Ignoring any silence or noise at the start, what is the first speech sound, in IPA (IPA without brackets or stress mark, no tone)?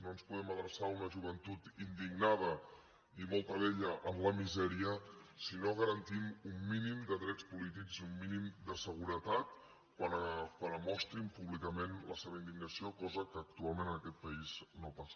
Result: n